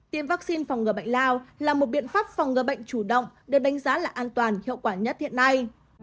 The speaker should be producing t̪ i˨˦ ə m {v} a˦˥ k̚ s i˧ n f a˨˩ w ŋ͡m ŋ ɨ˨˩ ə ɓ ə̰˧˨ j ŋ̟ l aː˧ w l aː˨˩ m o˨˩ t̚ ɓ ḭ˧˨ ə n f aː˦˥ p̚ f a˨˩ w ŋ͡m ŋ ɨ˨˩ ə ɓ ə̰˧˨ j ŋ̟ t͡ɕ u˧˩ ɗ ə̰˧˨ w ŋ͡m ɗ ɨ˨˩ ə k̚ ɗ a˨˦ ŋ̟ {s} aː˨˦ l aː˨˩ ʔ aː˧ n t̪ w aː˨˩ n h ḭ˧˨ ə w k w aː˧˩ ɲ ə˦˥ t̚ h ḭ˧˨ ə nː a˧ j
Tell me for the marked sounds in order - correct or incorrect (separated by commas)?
correct, incorrect